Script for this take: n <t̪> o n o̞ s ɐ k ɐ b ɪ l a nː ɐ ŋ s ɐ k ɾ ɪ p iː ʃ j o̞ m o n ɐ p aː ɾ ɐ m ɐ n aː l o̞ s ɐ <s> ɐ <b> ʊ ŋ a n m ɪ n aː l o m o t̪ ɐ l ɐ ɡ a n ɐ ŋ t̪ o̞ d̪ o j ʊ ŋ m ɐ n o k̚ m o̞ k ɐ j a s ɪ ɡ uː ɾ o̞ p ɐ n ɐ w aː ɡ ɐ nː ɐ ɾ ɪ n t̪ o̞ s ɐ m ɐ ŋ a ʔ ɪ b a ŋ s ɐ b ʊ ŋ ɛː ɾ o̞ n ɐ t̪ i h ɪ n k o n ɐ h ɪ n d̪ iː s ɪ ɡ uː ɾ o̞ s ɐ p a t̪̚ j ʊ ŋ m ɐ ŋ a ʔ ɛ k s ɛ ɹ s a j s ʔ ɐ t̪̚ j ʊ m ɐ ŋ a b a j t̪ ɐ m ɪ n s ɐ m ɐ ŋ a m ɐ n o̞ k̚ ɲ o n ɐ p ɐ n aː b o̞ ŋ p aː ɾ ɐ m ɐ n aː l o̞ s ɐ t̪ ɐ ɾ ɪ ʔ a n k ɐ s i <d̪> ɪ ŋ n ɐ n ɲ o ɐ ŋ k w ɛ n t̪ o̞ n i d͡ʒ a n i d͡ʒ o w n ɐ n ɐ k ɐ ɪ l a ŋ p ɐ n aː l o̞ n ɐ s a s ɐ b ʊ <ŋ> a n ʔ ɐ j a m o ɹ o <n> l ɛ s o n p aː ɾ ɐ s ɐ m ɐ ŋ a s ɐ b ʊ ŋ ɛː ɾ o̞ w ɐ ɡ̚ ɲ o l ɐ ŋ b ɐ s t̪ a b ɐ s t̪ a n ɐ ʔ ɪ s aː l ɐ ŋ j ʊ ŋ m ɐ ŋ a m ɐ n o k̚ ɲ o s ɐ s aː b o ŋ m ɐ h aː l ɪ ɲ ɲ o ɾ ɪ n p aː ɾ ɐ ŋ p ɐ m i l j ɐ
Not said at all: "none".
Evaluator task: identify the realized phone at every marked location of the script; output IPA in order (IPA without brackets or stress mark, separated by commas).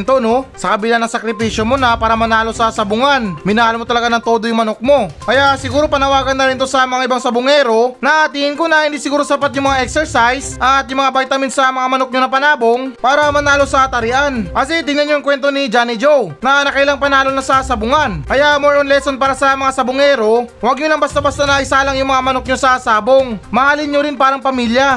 t̪, s, b, t̪, ŋ, n